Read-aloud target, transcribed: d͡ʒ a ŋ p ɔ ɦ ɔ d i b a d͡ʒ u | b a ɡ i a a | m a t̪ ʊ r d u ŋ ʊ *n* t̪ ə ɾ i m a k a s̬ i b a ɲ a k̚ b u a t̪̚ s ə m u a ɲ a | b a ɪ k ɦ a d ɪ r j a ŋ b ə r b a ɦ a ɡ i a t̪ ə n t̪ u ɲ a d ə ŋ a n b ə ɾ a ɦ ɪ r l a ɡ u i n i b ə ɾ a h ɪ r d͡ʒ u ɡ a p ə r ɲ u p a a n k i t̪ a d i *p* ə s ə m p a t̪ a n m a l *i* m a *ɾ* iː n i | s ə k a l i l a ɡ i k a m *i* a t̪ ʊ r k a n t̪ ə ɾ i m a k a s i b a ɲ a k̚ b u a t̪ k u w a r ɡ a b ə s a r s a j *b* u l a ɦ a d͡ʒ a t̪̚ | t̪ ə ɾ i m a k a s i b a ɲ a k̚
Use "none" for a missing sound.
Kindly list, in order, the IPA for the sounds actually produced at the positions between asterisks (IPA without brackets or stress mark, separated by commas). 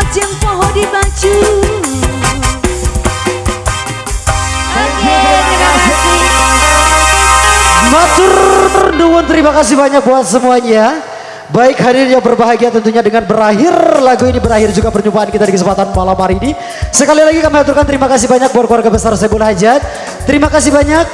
n, k, a, ɾ, i, b